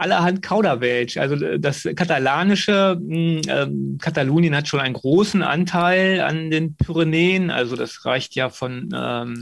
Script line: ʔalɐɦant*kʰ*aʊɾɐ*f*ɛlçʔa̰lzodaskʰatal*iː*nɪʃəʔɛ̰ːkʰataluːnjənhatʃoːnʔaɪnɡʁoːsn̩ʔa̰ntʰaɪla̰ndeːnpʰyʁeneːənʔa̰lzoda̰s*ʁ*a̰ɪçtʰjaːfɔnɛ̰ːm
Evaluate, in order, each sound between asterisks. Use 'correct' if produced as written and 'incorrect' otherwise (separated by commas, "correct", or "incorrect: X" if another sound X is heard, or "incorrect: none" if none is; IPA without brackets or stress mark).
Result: correct, incorrect: v, incorrect: aː, correct